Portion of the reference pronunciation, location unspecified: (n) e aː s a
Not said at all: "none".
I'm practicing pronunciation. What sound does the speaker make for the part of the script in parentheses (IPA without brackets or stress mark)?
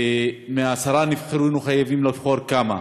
m